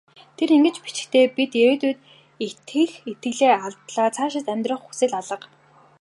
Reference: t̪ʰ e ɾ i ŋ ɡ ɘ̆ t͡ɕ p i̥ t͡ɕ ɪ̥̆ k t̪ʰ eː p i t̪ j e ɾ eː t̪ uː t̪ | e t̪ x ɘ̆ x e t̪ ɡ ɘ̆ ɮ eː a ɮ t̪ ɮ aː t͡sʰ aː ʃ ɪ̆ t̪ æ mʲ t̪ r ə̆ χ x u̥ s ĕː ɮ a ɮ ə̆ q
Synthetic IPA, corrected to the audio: t̪ʰ e ɾ i ŋ ɡ ɘ̆ t͡ɕ p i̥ t͡ɕ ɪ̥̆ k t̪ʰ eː p i t̪ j e ɾ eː t̪ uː t̪ | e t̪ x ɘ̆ x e t̪ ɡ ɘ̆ ɮ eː a ɮ t̪ ɮ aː t͡sʰ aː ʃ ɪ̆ t̪ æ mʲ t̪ r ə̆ χ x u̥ s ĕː ɮ a ɮ ə̆ q